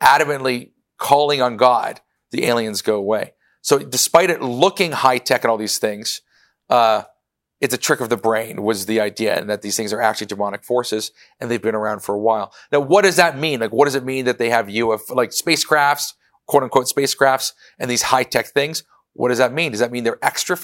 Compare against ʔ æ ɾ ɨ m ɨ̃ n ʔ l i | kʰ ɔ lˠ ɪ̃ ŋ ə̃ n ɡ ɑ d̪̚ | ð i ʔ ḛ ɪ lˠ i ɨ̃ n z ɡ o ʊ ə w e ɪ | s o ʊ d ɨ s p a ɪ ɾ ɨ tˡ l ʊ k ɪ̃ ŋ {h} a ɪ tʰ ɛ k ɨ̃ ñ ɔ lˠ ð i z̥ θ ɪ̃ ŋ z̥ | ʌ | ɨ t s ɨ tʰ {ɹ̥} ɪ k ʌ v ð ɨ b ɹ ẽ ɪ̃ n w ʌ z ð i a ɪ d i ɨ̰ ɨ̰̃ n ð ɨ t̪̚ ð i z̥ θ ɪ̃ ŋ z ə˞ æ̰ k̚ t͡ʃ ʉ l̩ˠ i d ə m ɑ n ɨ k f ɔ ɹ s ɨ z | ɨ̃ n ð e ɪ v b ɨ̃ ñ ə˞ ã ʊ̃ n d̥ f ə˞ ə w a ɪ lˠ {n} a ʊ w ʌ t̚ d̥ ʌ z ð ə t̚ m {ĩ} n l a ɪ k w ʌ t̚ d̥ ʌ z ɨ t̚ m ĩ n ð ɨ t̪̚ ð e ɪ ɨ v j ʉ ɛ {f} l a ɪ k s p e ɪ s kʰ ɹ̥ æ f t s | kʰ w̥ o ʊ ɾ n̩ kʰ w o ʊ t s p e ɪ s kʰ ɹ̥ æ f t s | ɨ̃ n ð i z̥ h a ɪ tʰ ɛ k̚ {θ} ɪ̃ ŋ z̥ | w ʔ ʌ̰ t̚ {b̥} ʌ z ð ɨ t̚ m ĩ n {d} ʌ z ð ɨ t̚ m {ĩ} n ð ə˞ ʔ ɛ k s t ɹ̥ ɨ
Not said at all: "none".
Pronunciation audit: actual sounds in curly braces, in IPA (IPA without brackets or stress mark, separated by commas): h, ɹ̥, n, ĩ, f, θ, d̥, d, ĩ